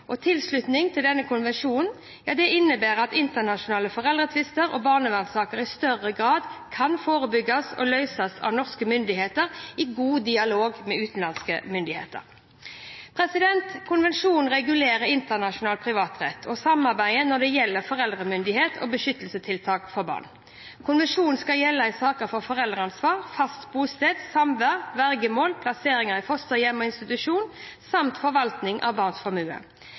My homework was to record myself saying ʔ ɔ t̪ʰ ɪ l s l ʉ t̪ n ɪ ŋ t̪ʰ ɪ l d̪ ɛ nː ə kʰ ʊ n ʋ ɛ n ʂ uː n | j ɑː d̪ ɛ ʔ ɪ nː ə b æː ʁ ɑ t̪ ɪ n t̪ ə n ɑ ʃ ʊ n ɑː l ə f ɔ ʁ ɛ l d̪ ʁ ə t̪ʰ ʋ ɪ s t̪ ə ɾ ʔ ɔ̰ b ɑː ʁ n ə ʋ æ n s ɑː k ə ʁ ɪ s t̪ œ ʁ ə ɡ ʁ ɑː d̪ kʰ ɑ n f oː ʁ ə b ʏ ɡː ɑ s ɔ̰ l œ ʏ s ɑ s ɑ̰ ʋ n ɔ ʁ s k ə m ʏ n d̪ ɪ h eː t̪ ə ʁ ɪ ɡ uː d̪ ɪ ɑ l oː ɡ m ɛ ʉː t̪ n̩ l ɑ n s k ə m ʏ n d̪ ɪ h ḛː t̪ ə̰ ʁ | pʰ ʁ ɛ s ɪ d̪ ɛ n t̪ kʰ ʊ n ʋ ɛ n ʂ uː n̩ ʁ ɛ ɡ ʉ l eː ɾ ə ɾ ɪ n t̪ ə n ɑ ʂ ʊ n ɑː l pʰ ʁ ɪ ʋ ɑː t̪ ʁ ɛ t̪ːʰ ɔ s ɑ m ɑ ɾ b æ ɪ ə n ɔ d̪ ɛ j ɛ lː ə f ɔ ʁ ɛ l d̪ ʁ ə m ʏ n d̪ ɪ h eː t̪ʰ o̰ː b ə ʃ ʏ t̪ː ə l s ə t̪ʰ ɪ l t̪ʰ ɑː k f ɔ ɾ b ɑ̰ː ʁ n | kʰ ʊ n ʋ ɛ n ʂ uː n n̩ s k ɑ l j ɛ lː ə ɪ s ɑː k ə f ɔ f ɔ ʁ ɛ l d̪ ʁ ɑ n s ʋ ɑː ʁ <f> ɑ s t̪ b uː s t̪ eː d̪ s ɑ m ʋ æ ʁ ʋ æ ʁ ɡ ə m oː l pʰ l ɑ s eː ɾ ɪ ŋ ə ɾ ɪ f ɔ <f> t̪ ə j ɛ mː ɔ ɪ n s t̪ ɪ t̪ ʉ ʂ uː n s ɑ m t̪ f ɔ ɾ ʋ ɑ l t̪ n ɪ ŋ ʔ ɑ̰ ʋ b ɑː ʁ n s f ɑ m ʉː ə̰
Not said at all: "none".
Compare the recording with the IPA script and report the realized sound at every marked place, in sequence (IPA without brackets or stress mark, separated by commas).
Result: f, s